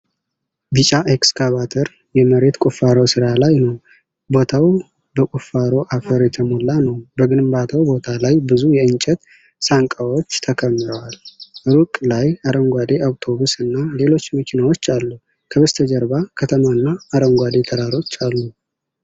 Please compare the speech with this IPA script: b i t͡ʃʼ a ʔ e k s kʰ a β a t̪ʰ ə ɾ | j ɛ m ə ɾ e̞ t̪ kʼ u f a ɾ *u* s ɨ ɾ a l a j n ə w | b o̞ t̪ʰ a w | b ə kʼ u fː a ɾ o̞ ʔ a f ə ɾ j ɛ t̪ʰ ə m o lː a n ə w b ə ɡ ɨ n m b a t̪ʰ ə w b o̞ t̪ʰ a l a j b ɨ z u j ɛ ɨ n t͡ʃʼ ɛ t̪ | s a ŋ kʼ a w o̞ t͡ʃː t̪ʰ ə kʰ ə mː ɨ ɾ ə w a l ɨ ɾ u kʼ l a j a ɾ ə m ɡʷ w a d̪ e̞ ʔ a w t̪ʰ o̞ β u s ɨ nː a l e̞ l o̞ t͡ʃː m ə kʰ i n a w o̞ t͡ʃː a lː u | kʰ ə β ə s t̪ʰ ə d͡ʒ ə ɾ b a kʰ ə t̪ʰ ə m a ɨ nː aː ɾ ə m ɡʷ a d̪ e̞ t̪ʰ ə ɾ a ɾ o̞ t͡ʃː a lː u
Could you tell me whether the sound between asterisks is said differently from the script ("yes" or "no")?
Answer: yes